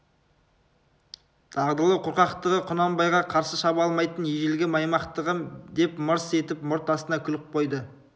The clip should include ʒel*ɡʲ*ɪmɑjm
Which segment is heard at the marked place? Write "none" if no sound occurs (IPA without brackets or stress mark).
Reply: ɡʲ